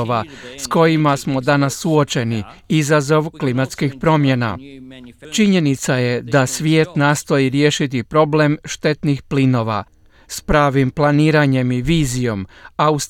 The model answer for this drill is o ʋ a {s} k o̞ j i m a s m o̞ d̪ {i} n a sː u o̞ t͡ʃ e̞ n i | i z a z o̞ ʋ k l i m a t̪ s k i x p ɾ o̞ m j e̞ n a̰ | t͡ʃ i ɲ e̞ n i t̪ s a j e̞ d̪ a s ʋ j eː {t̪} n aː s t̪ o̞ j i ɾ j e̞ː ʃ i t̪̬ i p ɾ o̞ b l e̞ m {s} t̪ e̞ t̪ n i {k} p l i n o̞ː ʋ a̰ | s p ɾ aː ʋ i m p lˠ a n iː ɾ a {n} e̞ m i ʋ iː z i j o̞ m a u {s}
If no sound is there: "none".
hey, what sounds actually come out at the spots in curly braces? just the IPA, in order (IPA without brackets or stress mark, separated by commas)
s, a, t̪, ʃ, x, ɲ, s